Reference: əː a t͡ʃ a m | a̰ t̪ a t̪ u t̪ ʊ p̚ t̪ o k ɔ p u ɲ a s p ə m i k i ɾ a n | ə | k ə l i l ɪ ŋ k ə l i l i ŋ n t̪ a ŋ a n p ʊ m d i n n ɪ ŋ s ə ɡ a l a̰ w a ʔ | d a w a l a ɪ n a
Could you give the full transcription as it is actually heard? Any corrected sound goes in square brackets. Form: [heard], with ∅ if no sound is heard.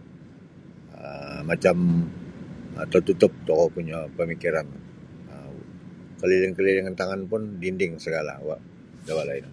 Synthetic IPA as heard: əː a t͡ʃ a m | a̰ t̪ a t̪ u t̪ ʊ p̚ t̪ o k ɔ p u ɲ a [∅] p ə m i k i ɾ a n | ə | k ə l i l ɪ ŋ k ə l i l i ŋ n t̪ a ŋ a n p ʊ [n] d i n [d] ɪ ŋ s ə ɡ a l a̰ w a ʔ | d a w a l a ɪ n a

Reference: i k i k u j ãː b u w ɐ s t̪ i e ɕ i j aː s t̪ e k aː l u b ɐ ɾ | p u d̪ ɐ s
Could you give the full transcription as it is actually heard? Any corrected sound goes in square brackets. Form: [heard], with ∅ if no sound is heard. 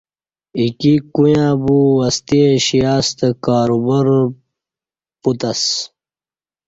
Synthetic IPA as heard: i k i k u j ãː b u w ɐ s t̪ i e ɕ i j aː s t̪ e k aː [ɾ] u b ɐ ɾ | p u [t̪] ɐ s

